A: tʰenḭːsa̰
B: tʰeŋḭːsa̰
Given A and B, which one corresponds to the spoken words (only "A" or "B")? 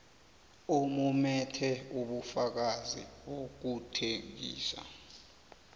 B